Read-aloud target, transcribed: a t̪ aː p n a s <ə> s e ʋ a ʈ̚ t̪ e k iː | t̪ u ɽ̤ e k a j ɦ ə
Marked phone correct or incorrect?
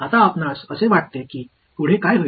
correct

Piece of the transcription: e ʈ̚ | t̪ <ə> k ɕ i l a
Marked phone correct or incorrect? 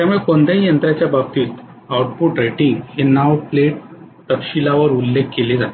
correct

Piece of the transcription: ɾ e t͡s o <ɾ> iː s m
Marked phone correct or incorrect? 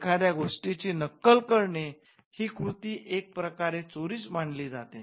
correct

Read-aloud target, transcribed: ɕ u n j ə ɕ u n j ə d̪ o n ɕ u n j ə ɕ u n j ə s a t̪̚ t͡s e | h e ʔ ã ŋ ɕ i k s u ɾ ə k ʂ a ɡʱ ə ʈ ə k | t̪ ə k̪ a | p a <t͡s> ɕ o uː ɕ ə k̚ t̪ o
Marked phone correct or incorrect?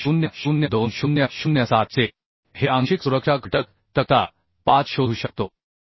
correct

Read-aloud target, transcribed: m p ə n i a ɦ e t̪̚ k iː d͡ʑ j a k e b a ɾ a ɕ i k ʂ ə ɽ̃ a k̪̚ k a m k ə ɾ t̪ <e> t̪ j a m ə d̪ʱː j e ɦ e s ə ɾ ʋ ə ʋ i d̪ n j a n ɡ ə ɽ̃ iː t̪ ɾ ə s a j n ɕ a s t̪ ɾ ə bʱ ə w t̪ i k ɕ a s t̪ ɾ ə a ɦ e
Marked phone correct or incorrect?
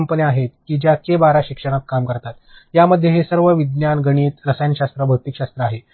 incorrect: a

